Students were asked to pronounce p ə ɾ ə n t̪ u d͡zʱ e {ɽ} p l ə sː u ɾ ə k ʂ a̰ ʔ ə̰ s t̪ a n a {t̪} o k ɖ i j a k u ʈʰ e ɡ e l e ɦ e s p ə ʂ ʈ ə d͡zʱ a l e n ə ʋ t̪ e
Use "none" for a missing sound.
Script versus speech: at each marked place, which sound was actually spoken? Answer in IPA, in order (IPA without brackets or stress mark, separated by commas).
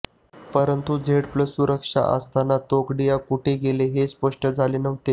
ɽ, t̪